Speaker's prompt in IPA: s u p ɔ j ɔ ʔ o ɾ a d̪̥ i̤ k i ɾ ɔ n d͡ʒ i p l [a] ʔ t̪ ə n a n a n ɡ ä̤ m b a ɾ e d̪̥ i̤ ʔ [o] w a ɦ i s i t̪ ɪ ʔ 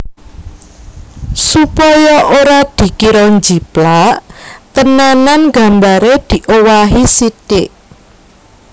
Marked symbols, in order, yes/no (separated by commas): yes, yes